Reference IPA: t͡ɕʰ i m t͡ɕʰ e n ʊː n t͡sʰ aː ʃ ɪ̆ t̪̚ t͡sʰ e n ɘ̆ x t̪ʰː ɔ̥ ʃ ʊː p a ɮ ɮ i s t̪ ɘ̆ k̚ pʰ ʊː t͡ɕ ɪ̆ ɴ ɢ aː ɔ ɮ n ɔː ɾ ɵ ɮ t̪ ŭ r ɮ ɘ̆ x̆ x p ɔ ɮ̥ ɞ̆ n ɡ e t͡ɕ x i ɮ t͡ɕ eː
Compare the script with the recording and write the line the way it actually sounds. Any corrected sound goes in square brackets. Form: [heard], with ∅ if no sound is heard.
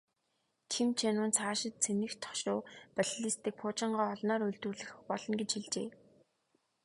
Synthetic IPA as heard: t͡ɕʰ i m t͡ɕʰ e n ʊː n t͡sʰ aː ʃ ɪ̆ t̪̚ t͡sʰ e n ɘ̆ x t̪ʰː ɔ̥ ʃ ʊː p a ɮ ɮ i s t̪ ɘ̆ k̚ pʰ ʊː t͡ɕ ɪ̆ ɴ ɢ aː ɔ ɮ n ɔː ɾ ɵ ɮ t̪ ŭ r ɮ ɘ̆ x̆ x p ɔ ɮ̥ ɞ̆ n ɡ e t͡ɕ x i ɮ t͡ɕ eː

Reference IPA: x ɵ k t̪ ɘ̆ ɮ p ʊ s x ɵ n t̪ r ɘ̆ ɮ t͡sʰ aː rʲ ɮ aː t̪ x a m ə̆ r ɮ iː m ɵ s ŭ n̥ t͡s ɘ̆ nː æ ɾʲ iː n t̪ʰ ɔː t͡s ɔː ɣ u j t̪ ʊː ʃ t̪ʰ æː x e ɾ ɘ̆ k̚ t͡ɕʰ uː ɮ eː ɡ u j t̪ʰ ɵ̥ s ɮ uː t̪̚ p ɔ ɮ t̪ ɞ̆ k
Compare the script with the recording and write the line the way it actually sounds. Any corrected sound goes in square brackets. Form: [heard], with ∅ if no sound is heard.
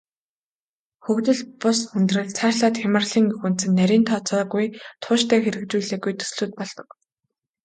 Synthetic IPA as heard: x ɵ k t̪ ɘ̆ ɮ p ʊ s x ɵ n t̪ r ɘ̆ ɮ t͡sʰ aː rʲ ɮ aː t̪ x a m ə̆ r ɮ iː [ŋ] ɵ [x] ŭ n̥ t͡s ɘ̆ nː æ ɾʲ iː n t̪ʰ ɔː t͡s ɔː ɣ u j [t̪ʰ] ʊː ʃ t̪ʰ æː x e ɾ ɘ̆ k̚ [t͡ɕ] uː ɮ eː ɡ u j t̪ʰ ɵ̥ s ɮ uː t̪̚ p ɔ ɮ t̪ ɞ̆ k

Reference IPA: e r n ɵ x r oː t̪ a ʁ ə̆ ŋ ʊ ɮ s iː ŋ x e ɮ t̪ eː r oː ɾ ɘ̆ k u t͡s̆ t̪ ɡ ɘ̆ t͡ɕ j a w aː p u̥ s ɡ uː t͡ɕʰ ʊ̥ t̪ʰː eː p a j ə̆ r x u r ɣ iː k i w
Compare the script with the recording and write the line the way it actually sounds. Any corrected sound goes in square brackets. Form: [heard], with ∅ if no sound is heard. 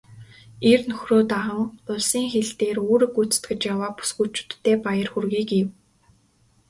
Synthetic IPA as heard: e r n ɵ x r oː t̪ a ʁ ə̆ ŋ ʊ ɮ s iː ŋ x e ɮ t̪ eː r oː ɾ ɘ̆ k u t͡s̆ t̪ ɡ ɘ̆ t͡ɕ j a w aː p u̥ s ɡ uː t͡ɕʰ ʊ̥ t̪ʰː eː p a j ə̆ r x u r ɣ iː k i w

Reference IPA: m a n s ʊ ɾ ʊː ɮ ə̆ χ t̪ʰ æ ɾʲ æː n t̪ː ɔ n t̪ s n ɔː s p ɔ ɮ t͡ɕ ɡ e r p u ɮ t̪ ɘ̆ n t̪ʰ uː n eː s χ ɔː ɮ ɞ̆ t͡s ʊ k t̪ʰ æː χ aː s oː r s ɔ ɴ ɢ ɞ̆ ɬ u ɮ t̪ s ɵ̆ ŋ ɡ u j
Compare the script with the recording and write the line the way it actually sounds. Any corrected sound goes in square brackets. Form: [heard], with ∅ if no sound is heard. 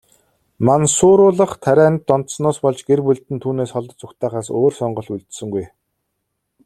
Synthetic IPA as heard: m a n s [ʊː] ɾ ʊː ɮ ə̆ χ t̪ʰ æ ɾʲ æː n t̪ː ɔ n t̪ s n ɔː s p ɔ ɮ t͡ɕ ɡ e r p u ɮ t̪ ɘ̆ n t̪ʰ uː n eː s χ [ɔ] ɮ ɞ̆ t͡s ʊ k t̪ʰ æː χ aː s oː r s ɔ ɴ ɢ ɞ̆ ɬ u ɮ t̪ s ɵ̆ ŋ ɡ u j

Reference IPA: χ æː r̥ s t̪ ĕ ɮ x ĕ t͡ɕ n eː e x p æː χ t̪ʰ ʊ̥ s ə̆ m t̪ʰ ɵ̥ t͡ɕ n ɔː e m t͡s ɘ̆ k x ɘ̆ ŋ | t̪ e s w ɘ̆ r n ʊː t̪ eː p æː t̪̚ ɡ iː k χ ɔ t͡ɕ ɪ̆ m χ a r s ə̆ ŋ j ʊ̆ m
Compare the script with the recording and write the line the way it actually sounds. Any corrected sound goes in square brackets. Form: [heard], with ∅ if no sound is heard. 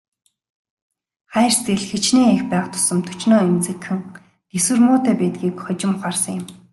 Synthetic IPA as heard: χ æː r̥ s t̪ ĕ ɮ x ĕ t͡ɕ n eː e x p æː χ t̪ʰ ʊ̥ s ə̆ m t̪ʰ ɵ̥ t͡ɕ n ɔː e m t͡s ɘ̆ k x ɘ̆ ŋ | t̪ e s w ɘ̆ r [m] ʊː t̪ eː p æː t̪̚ ɡ iː k χ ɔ t͡ɕ ɪ̆ m χ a r s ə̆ ŋ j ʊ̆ m

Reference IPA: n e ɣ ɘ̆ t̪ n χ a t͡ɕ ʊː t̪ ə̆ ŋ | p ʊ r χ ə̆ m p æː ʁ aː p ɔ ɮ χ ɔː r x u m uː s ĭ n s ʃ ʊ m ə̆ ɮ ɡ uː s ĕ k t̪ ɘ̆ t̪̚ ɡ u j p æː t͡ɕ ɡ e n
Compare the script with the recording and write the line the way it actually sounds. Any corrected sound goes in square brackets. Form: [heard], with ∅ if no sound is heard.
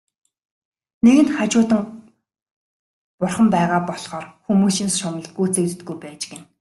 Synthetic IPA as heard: n e ɣ ɘ̆ [∅] n χ a t͡ɕ ʊː t̪ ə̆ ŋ | p ʊ r χ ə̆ m p æː ʁ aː p ɔ ɮ χ ɔː r x u m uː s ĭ n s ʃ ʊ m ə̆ ɮ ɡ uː [t͡s] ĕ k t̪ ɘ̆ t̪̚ ɡ u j p æː t͡ɕ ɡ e n

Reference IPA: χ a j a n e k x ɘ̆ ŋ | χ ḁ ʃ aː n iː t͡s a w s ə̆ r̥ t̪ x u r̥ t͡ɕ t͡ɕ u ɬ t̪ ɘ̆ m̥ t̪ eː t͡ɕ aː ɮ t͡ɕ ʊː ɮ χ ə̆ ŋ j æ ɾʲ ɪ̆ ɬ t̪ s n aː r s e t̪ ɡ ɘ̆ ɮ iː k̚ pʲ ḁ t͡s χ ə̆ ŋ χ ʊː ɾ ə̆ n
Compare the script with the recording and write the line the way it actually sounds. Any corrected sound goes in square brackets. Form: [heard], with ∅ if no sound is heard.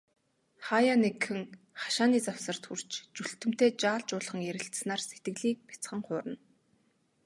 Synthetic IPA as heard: χ a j a n e k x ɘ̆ ŋ | χ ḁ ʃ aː n iː t͡s a w s ə̆ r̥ t̪ x u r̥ t͡ɕ t͡ɕ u ɬ t̪ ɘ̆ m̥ t̪ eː t͡ɕ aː ɮ t͡ɕ ʊː ɮ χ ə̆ ŋ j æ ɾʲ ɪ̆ ɬ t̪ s n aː r s e t̪ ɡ ɘ̆ ɮ iː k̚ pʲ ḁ t͡s χ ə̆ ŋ χ ʊː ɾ ə̆ n

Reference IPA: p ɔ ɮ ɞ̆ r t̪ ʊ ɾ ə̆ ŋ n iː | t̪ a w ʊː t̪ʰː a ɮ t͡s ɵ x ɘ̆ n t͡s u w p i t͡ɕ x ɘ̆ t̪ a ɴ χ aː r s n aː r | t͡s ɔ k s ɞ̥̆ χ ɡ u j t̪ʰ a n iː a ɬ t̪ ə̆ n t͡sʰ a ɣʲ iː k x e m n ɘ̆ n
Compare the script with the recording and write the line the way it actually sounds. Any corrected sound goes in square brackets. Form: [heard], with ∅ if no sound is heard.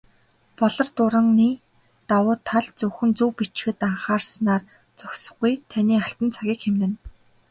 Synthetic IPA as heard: p ɔ ɮ ɞ̆ r t̪ ʊ ɾ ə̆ ŋ n iː | t̪ a w ʊː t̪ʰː a ɮ t͡s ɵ x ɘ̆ n t͡s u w p i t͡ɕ x ɘ̆ t̪ a ɴ χ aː r s n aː r | t͡s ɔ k s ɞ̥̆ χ ɡ u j t̪ʰ a n iː a ɬ t̪ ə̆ n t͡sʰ a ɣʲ iː k x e m n ɘ̆ n

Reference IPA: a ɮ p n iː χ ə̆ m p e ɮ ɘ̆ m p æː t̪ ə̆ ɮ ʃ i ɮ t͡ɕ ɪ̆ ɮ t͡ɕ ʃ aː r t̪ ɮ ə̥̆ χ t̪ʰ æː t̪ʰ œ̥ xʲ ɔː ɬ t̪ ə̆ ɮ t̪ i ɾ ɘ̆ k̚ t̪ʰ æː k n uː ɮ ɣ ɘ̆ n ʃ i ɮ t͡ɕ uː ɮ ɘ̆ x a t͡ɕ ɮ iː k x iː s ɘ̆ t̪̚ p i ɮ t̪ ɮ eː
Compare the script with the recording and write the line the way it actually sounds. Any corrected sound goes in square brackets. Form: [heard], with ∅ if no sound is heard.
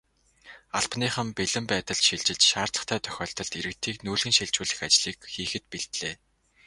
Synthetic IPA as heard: a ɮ p n iː χ ə̆ m p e ɮ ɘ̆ m p æː t̪ ə̆ ɮ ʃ i ɮ t͡ɕ ɪ̆ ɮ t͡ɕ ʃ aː r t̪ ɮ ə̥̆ χ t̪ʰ æː t̪ʰ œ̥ xʲ ɔː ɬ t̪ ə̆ ɮ t̪ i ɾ ɘ̆ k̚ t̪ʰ [iː] k n uː ɮ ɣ ɘ̆ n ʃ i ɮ t͡ɕ uː ɮ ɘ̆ x a t͡ɕ ɮ iː k x iː [x] ɘ̆ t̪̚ p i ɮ t̪ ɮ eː

